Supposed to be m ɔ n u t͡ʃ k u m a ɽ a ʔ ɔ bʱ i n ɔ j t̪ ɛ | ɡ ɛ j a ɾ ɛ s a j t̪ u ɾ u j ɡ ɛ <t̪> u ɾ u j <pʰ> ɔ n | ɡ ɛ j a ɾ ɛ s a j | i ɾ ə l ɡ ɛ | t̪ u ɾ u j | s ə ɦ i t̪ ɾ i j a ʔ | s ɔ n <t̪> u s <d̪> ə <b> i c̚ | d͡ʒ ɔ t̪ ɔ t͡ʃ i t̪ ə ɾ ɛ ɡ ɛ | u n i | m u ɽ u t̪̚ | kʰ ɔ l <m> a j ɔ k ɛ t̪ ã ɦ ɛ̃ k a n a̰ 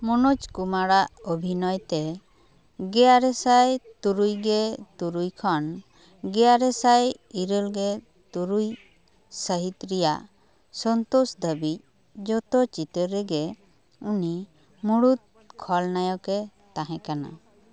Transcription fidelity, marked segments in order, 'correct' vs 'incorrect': correct, incorrect: kʰ, correct, correct, correct, incorrect: n

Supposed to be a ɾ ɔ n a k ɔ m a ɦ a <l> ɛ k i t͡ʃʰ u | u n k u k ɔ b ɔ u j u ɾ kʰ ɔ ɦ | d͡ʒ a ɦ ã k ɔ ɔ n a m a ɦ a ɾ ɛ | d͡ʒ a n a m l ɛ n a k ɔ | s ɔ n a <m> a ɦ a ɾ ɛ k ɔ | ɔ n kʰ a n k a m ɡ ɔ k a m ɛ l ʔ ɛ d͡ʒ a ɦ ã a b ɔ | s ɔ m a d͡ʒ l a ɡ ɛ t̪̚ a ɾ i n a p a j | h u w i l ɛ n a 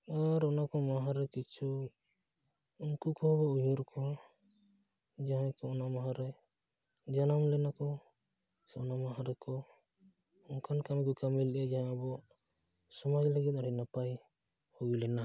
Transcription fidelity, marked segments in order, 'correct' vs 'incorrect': incorrect: ɾ, correct

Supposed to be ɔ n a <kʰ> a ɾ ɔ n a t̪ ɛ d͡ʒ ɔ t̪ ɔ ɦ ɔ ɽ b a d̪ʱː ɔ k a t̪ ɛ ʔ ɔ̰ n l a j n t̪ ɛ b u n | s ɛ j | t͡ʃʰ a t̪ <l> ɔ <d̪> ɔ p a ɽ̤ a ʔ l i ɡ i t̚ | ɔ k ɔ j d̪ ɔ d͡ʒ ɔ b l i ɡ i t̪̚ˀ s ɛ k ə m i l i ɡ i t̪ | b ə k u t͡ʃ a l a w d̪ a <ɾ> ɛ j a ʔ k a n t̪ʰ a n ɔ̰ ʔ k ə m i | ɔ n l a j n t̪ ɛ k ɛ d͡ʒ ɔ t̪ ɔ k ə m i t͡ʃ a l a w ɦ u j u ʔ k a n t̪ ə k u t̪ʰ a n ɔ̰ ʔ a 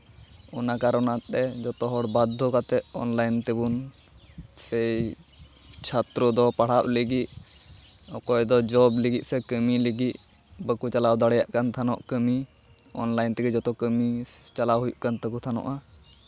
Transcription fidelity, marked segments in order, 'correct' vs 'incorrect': incorrect: k, incorrect: ɾ, correct, incorrect: ɽ

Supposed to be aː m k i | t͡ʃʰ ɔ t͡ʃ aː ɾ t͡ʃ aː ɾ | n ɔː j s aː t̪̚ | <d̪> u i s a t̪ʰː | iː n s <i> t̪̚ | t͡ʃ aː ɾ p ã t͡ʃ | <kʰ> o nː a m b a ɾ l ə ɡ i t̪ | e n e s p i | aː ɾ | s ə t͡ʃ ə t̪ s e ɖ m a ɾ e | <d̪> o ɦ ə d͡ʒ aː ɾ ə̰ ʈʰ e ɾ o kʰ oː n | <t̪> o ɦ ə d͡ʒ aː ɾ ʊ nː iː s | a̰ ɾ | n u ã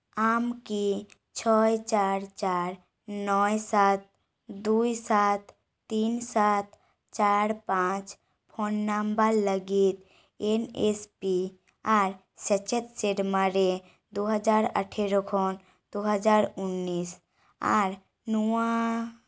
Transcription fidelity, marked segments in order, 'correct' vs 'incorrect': correct, incorrect: a, incorrect: pʰ, correct, incorrect: d̪

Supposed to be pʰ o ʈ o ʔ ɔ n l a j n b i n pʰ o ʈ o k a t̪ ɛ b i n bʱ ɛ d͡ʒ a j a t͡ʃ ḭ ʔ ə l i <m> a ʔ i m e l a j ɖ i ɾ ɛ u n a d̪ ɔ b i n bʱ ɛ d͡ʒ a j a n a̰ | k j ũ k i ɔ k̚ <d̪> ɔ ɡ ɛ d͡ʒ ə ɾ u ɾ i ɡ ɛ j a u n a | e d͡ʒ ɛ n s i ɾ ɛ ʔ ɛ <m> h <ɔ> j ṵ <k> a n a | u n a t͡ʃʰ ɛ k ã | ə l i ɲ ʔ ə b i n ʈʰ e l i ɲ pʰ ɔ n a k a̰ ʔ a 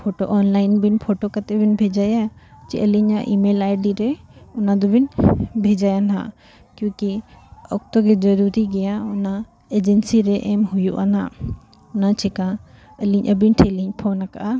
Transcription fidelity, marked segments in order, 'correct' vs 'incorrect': incorrect: ɲ, incorrect: t̪, correct, incorrect: u, incorrect: ʔ

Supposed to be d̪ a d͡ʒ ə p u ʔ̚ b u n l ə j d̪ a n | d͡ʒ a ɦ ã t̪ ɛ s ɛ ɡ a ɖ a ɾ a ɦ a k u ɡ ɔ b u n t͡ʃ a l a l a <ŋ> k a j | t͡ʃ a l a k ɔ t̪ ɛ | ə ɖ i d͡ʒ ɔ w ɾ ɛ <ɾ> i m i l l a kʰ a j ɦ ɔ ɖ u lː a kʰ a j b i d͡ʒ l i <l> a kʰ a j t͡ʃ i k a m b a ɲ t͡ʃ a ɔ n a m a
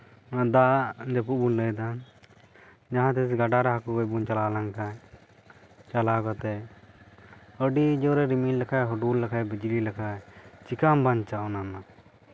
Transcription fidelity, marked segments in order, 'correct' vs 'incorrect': correct, correct, correct

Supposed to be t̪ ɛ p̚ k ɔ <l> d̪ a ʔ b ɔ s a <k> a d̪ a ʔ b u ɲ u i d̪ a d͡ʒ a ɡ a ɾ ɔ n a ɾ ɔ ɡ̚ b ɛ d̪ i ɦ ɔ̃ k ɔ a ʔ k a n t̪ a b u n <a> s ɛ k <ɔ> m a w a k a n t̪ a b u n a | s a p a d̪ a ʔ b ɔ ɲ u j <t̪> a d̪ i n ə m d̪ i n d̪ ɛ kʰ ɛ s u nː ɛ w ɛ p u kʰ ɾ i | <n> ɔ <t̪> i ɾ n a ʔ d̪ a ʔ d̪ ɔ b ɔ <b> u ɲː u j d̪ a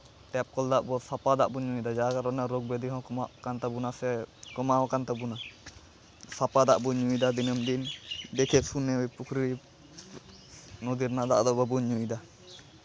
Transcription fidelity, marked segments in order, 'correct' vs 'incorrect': correct, incorrect: p, correct, correct, incorrect: d̪, correct, incorrect: d̪, correct

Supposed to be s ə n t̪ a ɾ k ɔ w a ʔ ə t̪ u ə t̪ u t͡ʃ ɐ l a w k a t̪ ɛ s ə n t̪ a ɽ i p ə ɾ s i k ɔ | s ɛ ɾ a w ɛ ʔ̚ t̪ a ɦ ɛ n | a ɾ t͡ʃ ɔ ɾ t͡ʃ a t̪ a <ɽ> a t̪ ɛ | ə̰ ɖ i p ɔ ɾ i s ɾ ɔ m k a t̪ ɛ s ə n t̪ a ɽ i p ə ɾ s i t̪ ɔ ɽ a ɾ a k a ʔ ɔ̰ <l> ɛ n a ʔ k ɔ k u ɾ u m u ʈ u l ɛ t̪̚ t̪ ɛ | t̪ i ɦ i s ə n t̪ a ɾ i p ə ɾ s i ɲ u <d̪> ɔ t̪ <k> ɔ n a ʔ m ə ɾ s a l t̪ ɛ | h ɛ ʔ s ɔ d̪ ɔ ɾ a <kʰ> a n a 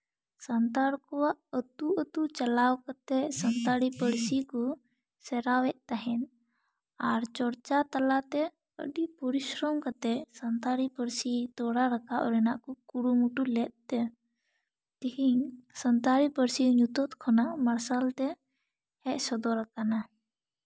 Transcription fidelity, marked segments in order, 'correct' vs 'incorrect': incorrect: l, incorrect: ɾ, incorrect: t̪, incorrect: kʰ, incorrect: k

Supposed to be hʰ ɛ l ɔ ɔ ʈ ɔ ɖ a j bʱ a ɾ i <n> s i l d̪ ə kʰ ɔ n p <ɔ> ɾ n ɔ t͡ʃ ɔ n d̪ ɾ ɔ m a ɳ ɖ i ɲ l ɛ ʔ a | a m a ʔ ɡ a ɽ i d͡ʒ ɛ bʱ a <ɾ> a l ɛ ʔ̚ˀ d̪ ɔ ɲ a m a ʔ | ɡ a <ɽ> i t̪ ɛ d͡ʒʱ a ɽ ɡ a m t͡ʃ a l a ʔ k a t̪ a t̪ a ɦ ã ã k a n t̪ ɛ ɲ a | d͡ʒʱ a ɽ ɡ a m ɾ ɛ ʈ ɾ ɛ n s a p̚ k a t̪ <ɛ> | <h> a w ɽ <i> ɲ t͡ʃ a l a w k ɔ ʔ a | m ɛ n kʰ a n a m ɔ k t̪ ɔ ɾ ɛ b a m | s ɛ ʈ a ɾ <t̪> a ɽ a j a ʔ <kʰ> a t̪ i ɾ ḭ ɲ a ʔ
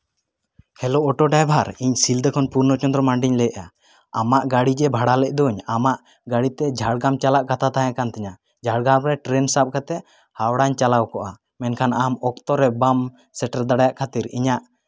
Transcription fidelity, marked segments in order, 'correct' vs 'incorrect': incorrect: ɲ, incorrect: u, incorrect: ɽ, correct, correct, correct, incorrect: a, incorrect: d̪, correct

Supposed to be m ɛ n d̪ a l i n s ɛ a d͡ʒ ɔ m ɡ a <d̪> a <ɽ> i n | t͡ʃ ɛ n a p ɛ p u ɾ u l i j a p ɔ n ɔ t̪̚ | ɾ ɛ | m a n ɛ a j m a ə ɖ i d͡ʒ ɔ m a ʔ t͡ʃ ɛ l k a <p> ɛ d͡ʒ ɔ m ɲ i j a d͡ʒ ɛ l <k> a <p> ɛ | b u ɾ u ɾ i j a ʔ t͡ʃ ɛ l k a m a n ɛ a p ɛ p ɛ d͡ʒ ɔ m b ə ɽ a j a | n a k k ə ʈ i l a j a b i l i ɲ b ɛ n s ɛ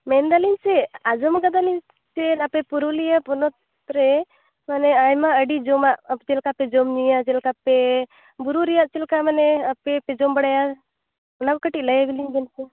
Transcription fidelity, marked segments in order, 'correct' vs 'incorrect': correct, incorrect: l, correct, correct, correct

